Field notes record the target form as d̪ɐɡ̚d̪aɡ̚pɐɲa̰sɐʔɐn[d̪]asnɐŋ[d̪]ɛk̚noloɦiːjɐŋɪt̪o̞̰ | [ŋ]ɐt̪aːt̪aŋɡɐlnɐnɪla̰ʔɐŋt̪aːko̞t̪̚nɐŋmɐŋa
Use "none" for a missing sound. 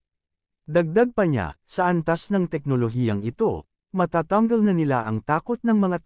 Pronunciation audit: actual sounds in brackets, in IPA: t̪, t̪, m

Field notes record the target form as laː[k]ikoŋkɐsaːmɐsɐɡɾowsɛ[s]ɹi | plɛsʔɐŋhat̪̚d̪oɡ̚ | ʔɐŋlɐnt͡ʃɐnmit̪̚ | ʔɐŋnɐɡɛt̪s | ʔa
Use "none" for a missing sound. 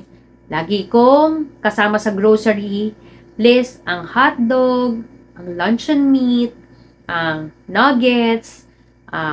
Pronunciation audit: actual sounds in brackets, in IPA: ɡ, none

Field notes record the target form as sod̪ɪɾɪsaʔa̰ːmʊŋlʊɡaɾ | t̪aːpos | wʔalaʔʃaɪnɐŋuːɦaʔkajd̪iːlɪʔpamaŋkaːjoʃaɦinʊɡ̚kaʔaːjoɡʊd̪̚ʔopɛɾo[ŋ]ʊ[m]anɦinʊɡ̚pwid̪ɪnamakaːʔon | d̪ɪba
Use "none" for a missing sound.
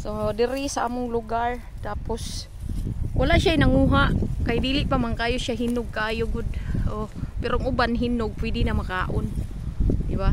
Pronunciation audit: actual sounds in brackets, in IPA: ŋ, b

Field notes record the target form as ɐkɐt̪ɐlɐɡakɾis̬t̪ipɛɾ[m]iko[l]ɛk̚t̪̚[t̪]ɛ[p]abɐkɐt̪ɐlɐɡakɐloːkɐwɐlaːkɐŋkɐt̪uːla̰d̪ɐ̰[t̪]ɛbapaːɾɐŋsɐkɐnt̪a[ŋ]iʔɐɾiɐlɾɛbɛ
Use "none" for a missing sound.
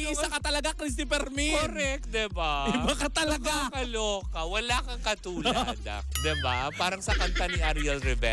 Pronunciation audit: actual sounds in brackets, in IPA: m, ɾ, d̪, b, d̪, n

